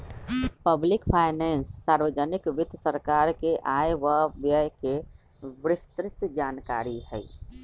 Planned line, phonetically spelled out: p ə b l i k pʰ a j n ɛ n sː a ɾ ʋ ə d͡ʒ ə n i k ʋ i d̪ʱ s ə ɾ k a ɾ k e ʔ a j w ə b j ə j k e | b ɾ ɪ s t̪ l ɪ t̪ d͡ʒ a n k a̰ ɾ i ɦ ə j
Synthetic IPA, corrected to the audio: p ə b l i k pʰ a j n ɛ n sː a ɾ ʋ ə d͡ʒ ə n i k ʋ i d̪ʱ s ə ɾ k a ɾ k e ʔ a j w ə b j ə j k e | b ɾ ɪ s t̪ ɾ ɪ t̪ d͡ʒ a n k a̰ ɾ i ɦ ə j